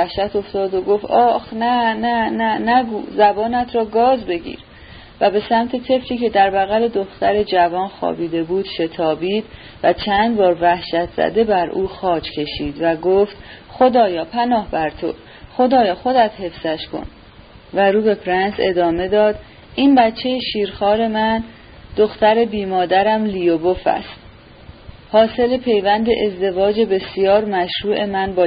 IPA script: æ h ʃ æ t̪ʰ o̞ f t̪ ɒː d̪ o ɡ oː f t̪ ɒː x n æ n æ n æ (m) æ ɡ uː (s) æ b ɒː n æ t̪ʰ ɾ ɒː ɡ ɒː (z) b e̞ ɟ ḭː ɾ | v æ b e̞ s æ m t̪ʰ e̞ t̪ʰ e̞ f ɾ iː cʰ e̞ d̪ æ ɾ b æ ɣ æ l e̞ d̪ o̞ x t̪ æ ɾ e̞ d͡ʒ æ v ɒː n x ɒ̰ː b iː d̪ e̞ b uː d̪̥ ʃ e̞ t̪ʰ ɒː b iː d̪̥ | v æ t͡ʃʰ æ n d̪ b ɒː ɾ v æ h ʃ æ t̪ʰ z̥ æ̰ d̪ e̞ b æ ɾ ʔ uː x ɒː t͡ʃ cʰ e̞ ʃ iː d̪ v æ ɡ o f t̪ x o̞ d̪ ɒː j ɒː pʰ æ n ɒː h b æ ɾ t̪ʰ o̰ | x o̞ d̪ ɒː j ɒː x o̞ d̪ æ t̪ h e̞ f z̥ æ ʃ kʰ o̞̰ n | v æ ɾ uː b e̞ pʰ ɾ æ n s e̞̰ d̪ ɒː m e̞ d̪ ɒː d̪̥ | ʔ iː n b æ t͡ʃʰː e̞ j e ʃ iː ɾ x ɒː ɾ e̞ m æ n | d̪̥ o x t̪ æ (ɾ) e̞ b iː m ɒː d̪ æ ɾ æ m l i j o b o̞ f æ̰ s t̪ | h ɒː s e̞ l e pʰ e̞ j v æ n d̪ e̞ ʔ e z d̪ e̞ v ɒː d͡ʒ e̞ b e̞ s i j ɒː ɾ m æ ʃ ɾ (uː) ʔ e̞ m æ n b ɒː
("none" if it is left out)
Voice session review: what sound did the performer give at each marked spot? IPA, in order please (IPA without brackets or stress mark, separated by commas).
n, z, z, ɾ, uː